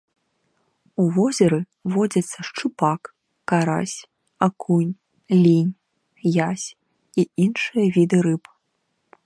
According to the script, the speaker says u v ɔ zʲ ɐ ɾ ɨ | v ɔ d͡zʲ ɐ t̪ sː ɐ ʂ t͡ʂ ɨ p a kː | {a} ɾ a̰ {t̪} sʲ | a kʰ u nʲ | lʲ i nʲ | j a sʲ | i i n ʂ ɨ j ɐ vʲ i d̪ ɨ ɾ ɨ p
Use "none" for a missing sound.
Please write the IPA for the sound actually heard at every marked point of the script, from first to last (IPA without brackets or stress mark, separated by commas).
a, none